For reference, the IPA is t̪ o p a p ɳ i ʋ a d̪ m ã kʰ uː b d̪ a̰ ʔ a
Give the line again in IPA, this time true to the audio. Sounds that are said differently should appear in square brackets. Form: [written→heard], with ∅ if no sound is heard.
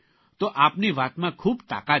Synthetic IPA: t̪ o [p→ʔ] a p [ɳ→n] i ʋ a [d̪→t̪] m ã kʰ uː b [d̪→t̪] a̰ [ʔ→k] a